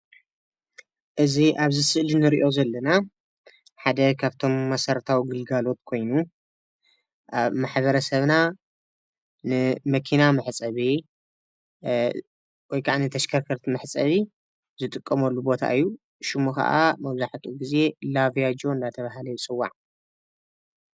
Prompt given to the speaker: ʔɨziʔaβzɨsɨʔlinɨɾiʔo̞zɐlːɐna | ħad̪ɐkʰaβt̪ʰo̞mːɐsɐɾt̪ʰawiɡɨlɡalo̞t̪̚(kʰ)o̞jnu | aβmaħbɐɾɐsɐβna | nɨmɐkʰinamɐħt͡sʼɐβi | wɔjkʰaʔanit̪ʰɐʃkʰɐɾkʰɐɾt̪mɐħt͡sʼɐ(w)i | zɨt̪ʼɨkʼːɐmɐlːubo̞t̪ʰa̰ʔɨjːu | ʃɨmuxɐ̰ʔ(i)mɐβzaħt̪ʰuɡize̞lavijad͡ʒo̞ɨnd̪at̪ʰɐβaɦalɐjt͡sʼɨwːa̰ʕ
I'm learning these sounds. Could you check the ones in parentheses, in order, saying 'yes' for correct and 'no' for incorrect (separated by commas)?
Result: yes, no, no